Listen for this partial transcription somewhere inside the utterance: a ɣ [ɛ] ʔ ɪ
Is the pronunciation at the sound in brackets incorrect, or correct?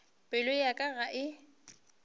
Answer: incorrect